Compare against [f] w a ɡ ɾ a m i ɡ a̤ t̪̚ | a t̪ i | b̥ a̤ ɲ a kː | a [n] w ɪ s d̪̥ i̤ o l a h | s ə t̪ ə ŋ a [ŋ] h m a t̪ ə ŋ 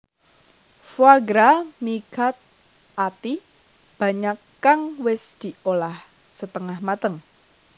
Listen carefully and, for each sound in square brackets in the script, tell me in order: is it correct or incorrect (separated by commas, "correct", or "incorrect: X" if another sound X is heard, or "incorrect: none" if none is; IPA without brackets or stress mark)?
correct, incorrect: ŋ, incorrect: none